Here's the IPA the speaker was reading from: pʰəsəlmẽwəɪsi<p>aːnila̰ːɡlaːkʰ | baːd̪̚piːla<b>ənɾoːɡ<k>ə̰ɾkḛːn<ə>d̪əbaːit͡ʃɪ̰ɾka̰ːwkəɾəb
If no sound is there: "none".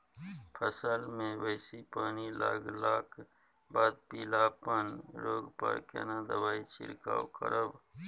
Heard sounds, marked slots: p, p, p, a

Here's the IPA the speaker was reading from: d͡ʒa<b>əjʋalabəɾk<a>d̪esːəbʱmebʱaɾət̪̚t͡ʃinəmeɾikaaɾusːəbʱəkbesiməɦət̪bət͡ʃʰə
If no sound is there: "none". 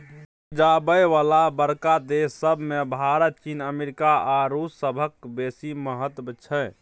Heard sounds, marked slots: b, a

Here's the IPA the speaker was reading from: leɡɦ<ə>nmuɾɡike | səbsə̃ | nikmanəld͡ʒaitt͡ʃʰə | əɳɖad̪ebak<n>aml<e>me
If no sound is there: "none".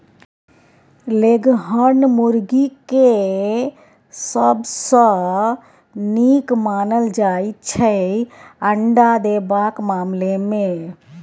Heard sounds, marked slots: ə, m, e

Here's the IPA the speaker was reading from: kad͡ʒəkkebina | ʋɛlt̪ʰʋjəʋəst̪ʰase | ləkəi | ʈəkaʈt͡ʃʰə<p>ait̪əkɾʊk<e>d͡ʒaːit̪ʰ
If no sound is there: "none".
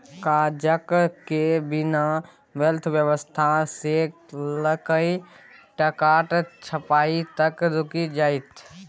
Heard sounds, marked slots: p, i

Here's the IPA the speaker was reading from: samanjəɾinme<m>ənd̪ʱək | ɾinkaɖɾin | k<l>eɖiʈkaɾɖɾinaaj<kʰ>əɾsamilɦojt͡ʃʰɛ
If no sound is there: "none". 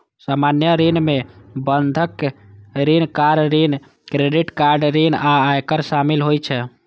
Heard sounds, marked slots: b, ɾ, k

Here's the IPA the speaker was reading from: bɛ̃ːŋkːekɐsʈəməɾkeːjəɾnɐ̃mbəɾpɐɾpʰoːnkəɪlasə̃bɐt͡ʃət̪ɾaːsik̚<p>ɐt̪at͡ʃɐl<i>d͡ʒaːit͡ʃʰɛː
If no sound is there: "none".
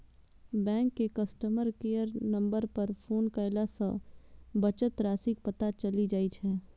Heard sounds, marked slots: p, i

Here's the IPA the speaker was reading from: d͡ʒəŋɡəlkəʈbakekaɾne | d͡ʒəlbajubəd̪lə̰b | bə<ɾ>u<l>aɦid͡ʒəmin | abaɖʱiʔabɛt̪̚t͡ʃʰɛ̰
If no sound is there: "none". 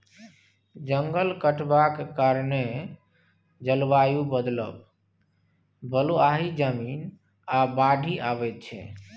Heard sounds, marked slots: l, none

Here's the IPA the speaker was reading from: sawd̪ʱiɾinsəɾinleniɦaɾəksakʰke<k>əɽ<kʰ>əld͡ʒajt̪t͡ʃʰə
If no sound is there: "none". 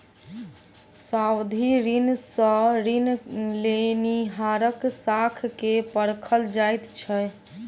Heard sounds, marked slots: p, kʰ

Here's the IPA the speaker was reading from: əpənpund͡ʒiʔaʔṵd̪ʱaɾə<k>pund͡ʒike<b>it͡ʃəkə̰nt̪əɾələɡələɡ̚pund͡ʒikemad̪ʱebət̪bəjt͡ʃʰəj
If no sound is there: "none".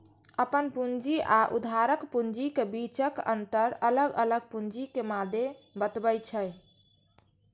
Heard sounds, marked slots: k, b

